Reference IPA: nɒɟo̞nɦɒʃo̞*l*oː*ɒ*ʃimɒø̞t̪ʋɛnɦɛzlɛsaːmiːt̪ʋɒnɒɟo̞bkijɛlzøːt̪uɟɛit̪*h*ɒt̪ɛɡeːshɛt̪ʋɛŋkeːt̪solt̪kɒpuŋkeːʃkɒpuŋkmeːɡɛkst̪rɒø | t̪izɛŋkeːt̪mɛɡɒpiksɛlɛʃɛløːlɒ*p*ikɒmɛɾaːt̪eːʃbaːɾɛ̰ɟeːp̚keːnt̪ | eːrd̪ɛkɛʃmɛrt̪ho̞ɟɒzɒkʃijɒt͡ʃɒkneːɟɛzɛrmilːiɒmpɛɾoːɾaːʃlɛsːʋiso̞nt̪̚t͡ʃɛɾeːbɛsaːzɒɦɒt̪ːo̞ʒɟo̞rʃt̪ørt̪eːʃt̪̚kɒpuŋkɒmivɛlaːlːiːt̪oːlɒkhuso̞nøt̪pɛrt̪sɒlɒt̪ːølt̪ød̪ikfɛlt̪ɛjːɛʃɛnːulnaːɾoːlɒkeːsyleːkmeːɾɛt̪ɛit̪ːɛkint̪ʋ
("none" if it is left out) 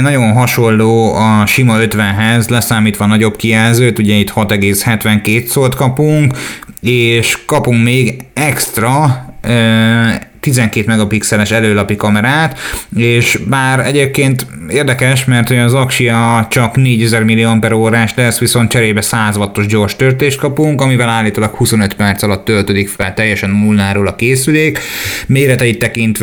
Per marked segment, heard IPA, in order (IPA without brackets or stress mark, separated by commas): lː, ɒ, h, p